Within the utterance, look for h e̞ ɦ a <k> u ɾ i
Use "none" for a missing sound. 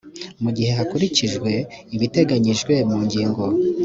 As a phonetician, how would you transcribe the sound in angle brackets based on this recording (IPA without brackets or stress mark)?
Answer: k